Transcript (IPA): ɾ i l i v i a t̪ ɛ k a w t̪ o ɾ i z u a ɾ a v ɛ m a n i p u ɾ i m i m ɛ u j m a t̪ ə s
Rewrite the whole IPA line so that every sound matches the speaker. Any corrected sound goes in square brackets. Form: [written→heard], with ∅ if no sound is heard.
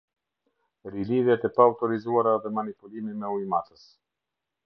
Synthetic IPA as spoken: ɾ i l i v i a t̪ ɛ [k→p] a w t̪ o ɾ i z u a ɾ a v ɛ m a n i p u [ɾ→l] i m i m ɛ u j m a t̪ ə s